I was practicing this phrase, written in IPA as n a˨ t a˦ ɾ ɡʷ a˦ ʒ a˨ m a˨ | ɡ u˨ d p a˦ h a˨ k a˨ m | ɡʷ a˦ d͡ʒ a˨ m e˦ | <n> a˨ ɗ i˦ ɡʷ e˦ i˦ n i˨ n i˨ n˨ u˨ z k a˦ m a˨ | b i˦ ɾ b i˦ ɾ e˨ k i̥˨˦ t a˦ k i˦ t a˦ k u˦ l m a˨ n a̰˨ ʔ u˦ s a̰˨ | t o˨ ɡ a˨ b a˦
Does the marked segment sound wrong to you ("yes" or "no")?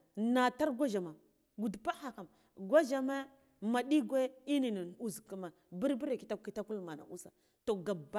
yes